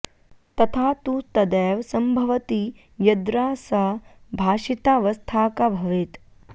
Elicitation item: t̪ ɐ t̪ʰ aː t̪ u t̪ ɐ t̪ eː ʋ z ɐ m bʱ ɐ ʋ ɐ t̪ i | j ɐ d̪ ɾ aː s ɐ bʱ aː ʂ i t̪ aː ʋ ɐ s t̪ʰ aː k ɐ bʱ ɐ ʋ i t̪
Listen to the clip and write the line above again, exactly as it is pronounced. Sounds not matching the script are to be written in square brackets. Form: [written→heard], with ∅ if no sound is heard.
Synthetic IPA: t̪ ɐ t̪ʰ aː t̪ u t̪ ɐ [t̪→d̪] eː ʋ [z→s] ɐ m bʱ ɐ ʋ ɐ t̪ i | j ɐ d̪ ɾ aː s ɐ bʱ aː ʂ i t̪ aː ʋ ɐ s t̪ʰ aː k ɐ bʱ ɐ ʋ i t̪